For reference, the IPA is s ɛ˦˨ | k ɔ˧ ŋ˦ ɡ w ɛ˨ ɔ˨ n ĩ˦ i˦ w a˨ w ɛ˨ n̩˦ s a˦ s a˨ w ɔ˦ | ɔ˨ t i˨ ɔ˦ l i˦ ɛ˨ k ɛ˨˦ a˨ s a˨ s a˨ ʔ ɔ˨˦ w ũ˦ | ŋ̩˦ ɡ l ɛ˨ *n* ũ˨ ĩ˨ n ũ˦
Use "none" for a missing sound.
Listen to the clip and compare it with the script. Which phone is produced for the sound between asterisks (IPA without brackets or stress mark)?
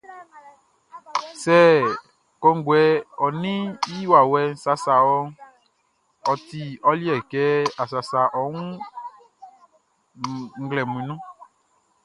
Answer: m